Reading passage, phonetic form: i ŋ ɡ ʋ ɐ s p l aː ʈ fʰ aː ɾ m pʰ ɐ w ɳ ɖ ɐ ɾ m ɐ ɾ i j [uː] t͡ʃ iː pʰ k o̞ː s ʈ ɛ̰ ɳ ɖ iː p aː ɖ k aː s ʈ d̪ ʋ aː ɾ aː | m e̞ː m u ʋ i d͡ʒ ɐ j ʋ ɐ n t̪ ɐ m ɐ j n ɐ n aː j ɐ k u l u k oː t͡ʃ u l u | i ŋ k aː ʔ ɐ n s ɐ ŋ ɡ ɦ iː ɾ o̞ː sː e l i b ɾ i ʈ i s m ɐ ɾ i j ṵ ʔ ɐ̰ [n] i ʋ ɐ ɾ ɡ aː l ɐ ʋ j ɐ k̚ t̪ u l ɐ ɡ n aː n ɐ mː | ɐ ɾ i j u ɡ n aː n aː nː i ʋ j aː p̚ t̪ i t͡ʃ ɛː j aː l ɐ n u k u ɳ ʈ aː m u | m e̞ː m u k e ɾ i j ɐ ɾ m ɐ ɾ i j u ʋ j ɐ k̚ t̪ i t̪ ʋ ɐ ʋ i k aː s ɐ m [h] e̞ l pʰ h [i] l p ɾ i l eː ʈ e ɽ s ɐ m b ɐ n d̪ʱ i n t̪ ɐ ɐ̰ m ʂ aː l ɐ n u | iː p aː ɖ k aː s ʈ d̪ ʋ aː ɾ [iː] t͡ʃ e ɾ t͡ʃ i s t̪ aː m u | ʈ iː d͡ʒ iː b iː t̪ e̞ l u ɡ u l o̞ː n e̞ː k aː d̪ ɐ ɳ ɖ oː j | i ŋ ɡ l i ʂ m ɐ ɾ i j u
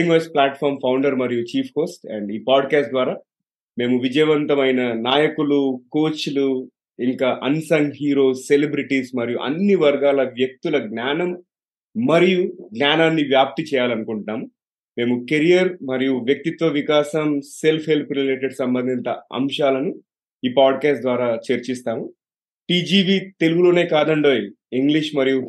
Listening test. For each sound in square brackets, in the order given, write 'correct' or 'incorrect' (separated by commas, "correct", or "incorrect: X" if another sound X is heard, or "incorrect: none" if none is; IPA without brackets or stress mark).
incorrect: u, incorrect: nː, incorrect: s, incorrect: e, incorrect: aː